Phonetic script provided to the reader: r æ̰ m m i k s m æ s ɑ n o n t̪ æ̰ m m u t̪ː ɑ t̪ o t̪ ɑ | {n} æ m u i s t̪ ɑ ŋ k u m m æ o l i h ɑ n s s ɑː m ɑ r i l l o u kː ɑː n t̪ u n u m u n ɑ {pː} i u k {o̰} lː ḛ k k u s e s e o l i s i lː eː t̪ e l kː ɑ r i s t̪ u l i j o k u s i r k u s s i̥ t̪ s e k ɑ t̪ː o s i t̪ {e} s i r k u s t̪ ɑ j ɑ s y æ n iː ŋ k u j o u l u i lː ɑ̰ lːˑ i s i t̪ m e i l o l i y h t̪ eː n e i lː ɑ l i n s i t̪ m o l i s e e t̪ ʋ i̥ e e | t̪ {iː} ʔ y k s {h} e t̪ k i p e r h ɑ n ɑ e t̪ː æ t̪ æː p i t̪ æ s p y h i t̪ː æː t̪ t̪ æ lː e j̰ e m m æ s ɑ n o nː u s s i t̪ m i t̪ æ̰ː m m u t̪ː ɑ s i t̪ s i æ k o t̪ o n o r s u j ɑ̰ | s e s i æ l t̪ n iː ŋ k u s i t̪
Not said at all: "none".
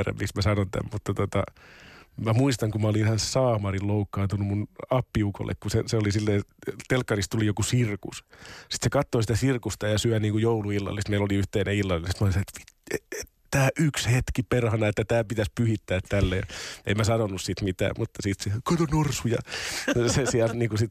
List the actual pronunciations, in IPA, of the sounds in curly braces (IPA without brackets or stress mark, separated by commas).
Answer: m, pː, o̰, æ, æː, h